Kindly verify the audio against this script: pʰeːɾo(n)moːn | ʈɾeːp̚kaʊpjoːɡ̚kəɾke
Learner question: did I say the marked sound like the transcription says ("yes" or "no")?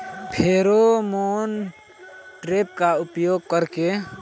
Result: no